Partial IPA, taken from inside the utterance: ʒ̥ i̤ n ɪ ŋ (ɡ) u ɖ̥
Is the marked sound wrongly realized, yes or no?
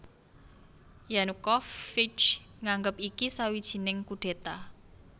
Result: yes